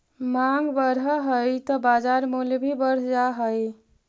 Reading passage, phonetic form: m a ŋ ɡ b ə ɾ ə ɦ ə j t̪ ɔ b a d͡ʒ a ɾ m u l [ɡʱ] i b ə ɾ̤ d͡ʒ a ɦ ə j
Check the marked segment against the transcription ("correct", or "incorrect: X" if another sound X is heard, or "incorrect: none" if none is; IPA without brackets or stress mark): incorrect: bʱ